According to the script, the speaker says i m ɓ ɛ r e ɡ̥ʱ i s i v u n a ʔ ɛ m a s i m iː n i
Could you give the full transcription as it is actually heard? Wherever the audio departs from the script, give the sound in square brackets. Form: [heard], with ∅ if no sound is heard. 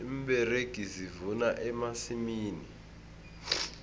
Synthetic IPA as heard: i m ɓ ɛ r e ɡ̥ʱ i [z] i v u n a ʔ ɛ m a s i m iː n i